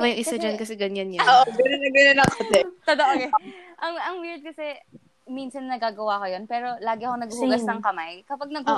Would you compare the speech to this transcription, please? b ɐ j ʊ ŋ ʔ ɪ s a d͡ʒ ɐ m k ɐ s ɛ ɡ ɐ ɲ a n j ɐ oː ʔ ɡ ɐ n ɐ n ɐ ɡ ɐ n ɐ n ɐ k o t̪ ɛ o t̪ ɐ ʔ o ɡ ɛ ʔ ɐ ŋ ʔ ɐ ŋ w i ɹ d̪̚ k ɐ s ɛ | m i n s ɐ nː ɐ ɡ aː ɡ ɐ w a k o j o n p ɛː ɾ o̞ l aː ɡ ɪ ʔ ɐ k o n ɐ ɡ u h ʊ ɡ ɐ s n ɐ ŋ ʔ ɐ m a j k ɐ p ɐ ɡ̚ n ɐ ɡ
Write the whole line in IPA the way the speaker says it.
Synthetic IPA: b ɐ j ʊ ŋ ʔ ɪ s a d͡ʒ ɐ n k ɐ s ɛ ɡ ɐ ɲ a n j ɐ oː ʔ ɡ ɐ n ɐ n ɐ ɡ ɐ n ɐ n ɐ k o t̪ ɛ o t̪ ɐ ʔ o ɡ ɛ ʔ ɐ ŋ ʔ ɐ ŋ w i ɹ d̪̚ k ɐ s ɛ | m i n s ɐ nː ɐ ɡ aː ɡ ɐ w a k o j o n p ɛː ɾ o̞ l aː ɡ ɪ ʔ ɐ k o n ɐ ɡ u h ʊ ɡ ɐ s n ɐ ŋ k ɐ m a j k ɐ p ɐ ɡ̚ n ɐ ɡ